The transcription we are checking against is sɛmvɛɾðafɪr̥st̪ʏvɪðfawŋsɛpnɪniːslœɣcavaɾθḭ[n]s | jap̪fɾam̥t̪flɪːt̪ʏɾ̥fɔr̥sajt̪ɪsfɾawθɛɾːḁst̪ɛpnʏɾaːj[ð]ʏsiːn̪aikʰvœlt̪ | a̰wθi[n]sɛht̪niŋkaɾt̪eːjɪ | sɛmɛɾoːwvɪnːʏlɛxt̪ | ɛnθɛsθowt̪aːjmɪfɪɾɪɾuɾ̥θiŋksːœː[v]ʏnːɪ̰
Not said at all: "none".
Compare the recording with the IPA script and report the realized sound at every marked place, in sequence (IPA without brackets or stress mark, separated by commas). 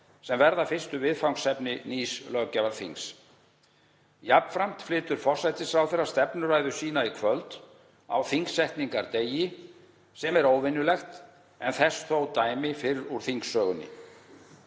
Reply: ŋ, ð, ŋ, ɣ